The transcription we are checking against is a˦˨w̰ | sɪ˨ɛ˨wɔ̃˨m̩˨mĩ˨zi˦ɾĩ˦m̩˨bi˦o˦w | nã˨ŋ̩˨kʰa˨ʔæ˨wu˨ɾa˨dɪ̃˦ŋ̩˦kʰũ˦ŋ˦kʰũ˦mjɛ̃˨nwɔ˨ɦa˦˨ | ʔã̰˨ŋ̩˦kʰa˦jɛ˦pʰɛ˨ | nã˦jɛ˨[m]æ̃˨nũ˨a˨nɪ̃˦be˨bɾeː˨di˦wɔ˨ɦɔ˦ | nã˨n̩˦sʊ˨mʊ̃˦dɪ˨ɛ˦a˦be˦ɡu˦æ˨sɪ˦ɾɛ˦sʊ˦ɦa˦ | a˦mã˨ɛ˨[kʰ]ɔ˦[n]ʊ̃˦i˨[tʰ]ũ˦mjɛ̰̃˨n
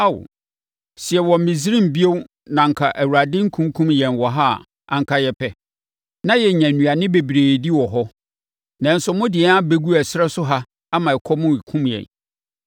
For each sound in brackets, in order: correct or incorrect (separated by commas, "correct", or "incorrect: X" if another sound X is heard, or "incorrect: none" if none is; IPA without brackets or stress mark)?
incorrect: ɲ, correct, incorrect: m, incorrect: kʰ